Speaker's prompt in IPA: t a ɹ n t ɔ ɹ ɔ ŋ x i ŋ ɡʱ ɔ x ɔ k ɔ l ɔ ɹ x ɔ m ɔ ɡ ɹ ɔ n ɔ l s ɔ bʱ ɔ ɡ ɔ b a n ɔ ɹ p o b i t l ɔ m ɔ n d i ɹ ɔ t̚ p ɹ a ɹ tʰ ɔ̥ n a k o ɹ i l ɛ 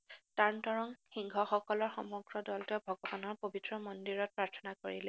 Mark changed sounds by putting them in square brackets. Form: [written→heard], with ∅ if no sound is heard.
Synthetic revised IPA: t a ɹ n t ɔ ɹ ɔ ŋ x i ŋ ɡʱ ɔ x ɔ k ɔ l ɔ ɹ x ɔ m ɔ ɡ ɹ ɔ [n→d] ɔ l [s→t] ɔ bʱ ɔ ɡ ɔ b a n ɔ ɹ p o b i t [l→ɹ] ɔ m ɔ n d i ɹ ɔ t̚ p ɹ a ɹ tʰ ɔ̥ n a k o ɹ i l ɛ